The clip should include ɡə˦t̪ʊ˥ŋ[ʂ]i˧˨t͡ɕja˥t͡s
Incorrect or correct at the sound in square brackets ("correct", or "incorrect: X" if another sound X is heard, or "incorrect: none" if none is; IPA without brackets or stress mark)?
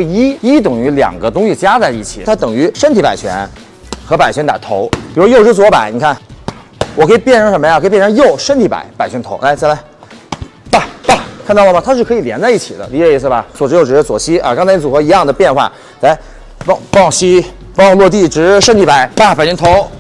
incorrect: ɕ